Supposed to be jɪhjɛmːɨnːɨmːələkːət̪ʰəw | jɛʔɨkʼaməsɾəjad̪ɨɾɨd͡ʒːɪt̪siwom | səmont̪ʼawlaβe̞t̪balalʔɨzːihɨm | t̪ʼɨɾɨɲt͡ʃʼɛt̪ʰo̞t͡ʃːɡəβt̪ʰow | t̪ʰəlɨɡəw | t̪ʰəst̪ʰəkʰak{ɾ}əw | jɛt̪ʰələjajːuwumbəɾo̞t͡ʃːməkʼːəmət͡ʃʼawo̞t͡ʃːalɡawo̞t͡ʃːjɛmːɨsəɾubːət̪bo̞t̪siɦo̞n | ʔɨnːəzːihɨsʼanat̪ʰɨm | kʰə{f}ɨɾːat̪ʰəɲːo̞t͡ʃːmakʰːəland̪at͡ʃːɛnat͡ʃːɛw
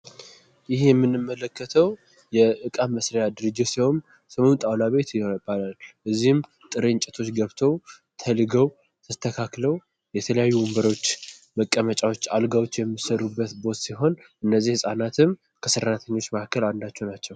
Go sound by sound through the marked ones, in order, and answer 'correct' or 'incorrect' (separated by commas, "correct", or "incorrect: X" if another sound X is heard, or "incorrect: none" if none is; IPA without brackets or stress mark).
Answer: incorrect: l, incorrect: s